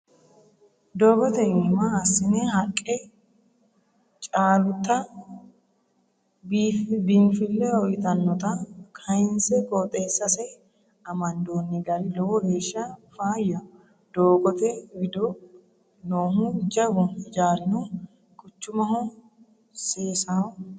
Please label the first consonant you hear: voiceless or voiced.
voiced